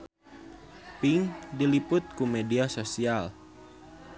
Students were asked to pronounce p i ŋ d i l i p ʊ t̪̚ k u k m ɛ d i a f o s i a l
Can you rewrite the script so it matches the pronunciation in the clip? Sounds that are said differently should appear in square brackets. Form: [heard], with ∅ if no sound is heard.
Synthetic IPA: p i ŋ d i l i p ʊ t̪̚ k u [∅] m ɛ d i a [s] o s i a l